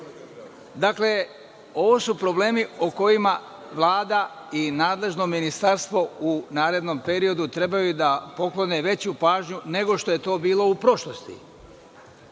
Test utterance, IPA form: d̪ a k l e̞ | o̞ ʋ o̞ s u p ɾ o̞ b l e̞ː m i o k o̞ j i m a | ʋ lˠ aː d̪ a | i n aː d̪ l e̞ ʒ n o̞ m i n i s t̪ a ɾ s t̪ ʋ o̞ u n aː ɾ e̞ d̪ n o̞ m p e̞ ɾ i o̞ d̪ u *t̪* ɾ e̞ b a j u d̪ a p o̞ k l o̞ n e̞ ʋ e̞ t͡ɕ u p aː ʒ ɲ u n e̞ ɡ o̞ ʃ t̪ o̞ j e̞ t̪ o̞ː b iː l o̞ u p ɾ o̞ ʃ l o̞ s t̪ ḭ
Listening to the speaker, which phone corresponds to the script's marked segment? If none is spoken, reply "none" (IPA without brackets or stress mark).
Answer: t̪